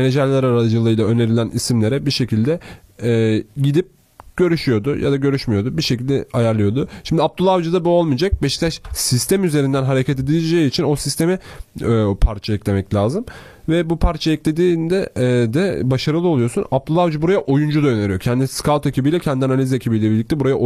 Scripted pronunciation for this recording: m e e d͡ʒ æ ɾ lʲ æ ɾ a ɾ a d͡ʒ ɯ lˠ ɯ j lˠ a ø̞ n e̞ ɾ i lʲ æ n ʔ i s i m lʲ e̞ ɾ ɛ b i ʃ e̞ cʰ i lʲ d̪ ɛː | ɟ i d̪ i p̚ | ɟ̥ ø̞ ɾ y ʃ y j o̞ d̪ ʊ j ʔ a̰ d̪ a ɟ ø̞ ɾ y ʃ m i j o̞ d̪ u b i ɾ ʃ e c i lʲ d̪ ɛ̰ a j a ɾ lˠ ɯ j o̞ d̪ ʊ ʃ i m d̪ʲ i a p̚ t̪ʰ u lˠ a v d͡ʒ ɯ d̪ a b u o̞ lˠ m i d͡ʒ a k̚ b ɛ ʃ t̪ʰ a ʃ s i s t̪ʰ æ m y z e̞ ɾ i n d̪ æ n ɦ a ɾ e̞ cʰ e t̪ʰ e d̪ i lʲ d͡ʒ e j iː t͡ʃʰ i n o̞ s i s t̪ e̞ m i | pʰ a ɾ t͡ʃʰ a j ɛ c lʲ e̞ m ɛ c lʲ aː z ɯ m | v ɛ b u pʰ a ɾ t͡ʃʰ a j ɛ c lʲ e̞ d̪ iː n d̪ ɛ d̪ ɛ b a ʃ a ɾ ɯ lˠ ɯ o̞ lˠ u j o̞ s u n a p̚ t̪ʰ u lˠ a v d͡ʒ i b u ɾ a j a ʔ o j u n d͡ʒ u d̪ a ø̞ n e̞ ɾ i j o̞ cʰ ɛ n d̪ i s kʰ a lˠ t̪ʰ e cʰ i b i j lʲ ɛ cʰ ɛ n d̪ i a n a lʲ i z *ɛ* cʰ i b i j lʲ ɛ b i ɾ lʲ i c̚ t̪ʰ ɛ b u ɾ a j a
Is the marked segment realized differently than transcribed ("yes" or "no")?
yes